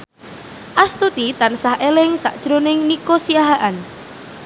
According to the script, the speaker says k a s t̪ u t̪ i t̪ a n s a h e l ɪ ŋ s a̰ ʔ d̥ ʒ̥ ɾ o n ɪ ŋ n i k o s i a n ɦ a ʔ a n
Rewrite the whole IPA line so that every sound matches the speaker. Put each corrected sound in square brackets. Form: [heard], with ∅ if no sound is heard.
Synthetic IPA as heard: [ʔ] a s t̪ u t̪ i t̪ a n s a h e l ɪ ŋ s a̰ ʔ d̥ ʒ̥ ɾ o n ɪ ŋ n i k o s i a [∅] ɦ a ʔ a n